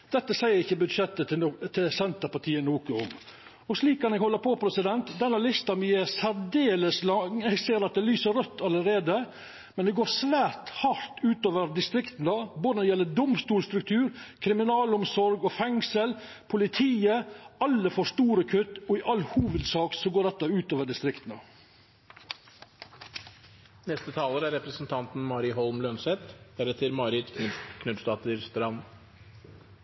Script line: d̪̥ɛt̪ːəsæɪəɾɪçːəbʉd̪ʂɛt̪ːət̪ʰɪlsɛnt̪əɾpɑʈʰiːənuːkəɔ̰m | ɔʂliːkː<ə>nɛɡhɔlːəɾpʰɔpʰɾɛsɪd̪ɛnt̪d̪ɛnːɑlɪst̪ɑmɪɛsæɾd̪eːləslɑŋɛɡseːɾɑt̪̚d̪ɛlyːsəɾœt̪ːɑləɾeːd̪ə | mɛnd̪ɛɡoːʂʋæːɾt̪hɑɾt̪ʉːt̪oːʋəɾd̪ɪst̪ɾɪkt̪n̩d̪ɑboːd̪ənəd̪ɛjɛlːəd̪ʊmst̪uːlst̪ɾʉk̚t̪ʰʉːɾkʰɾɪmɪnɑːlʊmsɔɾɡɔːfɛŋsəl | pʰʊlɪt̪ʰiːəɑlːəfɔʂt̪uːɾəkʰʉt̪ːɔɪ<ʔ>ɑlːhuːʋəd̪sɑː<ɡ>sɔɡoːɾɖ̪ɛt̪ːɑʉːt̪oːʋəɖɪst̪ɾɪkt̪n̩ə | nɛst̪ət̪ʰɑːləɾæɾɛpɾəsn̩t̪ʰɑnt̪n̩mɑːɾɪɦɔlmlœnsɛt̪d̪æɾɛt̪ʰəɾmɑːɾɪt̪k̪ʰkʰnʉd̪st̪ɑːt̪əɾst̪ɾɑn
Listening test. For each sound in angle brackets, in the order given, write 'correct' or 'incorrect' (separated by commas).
incorrect, correct, incorrect